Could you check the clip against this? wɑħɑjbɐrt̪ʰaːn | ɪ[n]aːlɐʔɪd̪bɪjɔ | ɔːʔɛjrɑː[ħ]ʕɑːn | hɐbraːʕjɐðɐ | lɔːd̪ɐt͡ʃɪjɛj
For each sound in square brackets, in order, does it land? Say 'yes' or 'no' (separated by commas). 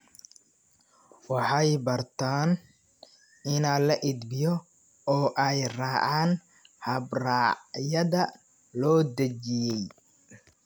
yes, no